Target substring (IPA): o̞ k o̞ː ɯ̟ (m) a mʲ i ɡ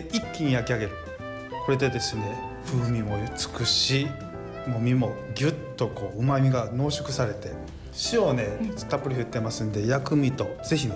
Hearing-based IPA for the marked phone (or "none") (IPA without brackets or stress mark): m